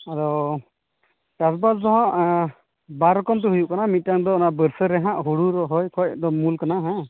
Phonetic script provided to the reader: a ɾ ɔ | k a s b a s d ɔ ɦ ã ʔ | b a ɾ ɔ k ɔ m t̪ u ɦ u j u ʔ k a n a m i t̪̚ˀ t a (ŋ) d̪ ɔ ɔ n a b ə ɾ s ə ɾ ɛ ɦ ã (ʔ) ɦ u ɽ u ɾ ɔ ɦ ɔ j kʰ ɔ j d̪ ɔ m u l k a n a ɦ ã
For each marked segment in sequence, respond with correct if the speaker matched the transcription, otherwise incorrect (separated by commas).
correct, correct